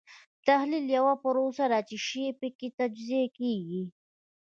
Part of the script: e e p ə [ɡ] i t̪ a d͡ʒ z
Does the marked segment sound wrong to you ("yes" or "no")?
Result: yes